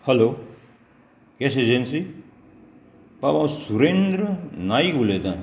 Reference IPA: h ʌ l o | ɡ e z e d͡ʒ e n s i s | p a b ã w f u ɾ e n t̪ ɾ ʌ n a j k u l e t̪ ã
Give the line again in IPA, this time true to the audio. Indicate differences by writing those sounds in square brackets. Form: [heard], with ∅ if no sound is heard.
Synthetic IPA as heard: h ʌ l o | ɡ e [s] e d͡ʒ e n s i [∅] | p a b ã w [s] u ɾ e n [d̪] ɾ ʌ n a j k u l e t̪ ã